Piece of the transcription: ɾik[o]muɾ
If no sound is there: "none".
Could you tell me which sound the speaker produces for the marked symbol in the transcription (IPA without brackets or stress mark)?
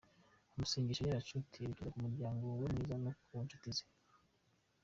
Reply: u